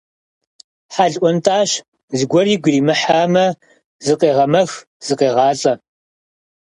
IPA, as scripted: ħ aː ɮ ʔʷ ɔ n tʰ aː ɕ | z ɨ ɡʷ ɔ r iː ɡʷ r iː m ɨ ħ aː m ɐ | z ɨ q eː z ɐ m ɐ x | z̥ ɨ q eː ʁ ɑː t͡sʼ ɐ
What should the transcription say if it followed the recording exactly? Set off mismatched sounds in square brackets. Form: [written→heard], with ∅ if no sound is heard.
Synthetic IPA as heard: ħ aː ɮ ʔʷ ɔ n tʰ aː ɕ | z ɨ ɡʷ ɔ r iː ɡʷ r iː m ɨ ħ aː m ɐ | z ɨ q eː [z→ʁ] ɐ m ɐ x | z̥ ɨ q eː ʁ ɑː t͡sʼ ɐ